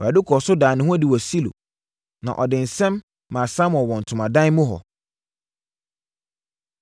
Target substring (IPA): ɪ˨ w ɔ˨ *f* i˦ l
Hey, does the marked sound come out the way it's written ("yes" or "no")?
no